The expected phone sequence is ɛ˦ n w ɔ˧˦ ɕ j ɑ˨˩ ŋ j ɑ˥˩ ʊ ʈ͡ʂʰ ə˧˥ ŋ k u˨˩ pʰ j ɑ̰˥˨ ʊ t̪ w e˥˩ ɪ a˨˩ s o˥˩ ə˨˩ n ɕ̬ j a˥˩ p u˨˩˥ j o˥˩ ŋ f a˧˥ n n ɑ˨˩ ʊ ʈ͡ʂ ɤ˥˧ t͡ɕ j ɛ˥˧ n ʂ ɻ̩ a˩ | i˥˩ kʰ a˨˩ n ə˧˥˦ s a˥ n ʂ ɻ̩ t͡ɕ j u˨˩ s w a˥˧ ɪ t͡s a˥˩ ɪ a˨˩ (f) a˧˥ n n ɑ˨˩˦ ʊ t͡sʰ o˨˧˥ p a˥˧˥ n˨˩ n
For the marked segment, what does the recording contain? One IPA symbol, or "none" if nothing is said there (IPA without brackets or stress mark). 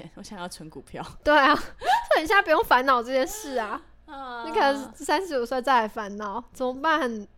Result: f